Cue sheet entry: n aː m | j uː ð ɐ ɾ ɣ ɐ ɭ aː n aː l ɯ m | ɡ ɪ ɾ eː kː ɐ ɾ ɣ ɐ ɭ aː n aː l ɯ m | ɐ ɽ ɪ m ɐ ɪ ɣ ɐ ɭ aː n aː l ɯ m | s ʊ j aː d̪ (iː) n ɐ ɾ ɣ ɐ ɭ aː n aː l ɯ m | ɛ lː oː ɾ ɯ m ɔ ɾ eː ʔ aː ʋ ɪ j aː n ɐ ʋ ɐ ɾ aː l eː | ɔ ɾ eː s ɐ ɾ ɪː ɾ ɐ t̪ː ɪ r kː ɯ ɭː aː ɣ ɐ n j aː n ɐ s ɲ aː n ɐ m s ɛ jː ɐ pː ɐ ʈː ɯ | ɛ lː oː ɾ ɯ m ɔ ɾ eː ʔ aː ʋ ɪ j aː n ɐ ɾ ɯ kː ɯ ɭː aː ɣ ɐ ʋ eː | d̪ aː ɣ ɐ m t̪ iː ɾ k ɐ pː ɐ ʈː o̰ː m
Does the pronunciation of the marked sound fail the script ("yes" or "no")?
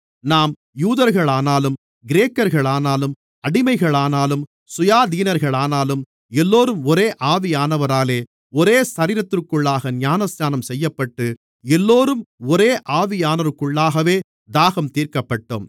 no